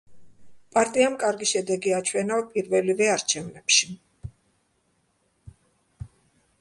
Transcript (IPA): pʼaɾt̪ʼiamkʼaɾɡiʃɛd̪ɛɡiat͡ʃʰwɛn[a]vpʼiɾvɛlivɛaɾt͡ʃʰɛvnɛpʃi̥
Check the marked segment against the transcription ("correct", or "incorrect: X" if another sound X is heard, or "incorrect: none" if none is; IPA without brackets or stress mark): correct